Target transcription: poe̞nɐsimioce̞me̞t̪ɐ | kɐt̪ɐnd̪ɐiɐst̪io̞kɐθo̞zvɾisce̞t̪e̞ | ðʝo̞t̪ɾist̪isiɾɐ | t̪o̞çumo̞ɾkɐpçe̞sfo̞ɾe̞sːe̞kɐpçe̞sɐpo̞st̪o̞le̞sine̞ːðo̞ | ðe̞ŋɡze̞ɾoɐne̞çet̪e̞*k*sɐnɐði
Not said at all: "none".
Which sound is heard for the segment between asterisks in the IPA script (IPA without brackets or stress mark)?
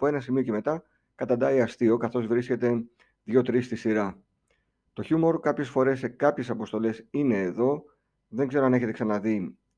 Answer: k